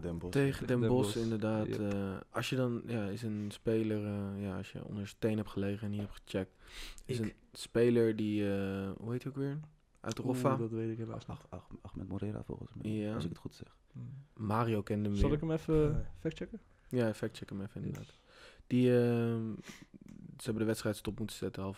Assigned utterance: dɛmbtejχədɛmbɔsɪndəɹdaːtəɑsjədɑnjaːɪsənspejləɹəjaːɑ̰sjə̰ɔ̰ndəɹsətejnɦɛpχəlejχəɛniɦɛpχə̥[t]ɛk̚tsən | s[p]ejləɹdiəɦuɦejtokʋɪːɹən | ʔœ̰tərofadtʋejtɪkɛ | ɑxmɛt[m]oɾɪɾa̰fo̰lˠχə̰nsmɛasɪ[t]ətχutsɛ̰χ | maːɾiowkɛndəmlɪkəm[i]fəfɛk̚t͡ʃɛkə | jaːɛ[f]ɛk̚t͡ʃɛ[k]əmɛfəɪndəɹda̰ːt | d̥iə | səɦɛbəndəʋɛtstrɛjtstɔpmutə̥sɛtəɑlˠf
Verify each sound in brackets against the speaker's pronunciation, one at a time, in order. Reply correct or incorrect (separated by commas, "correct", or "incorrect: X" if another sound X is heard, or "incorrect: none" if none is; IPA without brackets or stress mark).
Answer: incorrect: t͡ʃ, correct, correct, incorrect: k, incorrect: ɛ, correct, correct